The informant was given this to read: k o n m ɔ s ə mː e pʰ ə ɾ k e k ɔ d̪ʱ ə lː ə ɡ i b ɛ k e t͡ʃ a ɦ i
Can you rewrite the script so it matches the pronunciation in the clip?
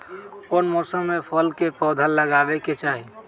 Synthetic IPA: k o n m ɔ s ə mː e pʰ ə l k e p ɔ d̪ʱ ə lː ə ɡ a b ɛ k e t͡ʃ a ɦ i